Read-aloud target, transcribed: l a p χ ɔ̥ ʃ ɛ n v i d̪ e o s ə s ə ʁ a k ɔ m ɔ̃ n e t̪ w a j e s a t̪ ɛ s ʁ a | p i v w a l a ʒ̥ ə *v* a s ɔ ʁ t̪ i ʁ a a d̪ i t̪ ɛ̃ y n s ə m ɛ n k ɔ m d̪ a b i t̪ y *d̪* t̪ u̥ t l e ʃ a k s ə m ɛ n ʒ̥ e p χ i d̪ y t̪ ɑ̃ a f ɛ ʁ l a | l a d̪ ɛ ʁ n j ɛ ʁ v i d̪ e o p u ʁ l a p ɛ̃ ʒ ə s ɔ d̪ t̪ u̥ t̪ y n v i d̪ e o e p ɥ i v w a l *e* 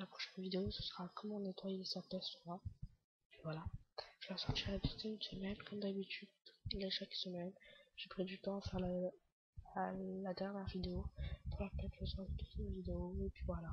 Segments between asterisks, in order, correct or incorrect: correct, correct, incorrect: a

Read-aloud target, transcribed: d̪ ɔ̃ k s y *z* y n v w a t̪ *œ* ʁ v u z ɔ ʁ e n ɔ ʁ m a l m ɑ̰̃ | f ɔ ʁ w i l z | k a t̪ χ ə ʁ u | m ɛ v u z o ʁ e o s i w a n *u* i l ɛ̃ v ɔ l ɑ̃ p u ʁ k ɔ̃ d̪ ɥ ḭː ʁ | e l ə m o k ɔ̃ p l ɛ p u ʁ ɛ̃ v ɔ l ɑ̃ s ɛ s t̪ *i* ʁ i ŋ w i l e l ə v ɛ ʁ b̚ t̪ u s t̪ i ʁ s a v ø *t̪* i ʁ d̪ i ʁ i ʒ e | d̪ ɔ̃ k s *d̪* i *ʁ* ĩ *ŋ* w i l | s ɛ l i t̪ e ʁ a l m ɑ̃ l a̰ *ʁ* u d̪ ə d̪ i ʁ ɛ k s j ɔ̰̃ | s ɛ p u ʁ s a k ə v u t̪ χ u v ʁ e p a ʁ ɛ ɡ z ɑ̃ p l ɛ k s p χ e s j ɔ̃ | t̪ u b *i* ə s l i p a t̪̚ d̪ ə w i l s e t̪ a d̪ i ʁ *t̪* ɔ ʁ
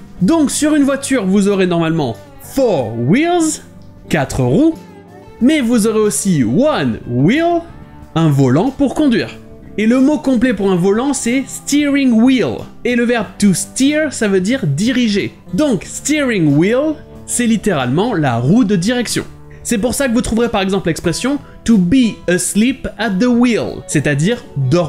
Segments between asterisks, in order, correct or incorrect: incorrect: ʁ, incorrect: y, incorrect: w, correct, incorrect: d̪, incorrect: t̪, correct, correct, correct, correct, incorrect: d̪

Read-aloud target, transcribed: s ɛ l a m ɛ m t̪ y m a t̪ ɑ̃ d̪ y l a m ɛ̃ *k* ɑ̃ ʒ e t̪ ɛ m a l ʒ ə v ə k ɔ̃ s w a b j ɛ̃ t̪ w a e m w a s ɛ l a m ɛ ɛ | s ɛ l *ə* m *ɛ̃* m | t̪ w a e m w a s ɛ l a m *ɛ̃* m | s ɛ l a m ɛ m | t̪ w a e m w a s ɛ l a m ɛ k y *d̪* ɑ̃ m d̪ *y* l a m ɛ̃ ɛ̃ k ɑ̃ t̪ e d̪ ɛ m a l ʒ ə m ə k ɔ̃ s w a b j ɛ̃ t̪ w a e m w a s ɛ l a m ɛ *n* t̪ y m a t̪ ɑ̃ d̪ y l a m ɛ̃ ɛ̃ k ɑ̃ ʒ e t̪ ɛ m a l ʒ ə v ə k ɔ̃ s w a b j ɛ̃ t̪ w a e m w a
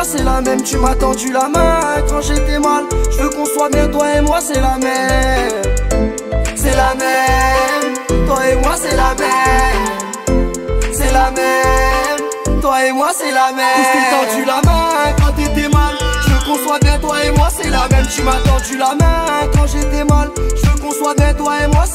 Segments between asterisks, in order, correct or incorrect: correct, incorrect: a, incorrect: ɛ, incorrect: ɛ, incorrect: t̪, correct, incorrect: m

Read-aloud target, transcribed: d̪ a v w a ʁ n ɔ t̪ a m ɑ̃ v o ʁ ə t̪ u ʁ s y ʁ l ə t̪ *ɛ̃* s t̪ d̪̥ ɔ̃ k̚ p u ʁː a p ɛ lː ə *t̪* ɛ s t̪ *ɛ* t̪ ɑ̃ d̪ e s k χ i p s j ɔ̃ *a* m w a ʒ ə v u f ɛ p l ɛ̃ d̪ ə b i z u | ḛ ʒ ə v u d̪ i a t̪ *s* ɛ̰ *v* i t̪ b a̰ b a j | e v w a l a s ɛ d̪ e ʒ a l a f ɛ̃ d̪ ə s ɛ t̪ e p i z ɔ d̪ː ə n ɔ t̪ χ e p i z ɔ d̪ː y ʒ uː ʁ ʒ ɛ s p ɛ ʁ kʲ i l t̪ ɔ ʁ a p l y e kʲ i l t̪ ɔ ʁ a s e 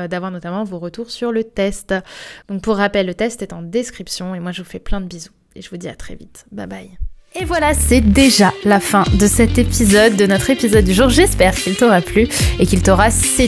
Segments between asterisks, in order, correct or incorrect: incorrect: ɛ, correct, correct, incorrect: e, incorrect: χ, correct

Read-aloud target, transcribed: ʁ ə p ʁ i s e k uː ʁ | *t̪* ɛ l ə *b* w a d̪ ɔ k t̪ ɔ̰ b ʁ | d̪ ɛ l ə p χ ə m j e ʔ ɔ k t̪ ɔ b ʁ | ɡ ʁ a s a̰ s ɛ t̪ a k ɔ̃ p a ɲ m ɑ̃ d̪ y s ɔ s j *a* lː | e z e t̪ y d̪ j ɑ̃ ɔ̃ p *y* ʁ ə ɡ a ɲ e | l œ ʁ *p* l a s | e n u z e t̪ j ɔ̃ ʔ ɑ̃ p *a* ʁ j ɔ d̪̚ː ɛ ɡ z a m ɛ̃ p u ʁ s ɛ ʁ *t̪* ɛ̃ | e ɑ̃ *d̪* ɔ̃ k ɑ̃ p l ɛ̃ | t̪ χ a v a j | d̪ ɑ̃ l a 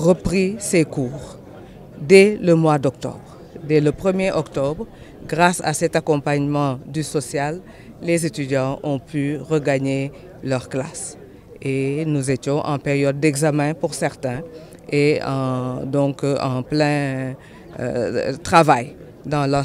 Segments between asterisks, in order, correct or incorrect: incorrect: d̪, incorrect: m, correct, correct, incorrect: k, incorrect: e, correct, correct

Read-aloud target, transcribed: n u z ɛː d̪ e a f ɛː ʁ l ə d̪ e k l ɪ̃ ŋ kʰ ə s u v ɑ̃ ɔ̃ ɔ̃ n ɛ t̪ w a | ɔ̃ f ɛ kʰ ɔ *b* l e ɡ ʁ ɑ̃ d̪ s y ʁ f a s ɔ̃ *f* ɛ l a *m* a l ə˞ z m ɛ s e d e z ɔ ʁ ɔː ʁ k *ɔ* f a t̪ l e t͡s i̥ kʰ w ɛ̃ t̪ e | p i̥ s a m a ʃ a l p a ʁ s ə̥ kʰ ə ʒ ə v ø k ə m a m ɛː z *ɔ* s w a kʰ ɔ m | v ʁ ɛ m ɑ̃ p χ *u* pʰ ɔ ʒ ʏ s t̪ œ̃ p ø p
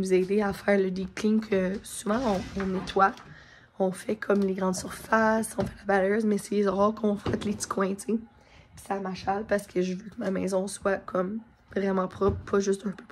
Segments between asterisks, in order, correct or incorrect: incorrect: m, correct, incorrect: b, incorrect: ɔ̃, incorrect: ɔ̃, incorrect: ɔ

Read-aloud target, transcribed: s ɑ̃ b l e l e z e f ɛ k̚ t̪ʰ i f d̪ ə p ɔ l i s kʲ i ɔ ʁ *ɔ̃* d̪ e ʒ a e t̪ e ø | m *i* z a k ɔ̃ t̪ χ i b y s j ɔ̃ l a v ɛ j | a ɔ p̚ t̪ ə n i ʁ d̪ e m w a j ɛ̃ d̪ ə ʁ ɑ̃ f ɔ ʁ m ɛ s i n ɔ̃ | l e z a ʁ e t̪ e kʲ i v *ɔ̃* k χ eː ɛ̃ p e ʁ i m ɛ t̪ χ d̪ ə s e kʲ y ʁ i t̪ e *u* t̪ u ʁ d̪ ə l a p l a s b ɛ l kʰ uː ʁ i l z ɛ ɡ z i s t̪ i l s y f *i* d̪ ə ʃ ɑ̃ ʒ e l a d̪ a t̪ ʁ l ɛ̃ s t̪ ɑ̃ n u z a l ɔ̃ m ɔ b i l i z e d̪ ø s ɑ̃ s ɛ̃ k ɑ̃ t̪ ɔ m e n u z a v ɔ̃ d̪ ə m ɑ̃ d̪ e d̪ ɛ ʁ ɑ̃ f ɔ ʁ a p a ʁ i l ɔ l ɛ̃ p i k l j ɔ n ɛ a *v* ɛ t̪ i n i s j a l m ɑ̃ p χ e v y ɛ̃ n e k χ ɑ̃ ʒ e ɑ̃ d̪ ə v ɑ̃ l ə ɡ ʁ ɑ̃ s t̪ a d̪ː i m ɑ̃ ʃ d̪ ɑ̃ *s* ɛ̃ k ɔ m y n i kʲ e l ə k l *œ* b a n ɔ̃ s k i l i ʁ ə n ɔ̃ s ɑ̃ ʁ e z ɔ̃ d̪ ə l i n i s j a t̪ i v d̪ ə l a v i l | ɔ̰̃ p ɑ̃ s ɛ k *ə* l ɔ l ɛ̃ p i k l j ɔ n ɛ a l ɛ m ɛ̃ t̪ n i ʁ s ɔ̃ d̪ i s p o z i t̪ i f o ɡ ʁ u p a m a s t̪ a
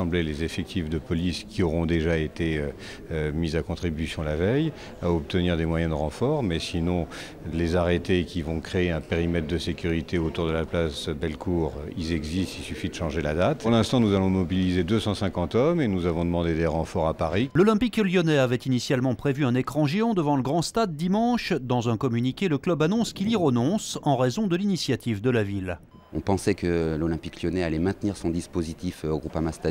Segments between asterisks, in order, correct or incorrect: correct, correct, correct, incorrect: o, correct, correct, incorrect: z, correct, correct

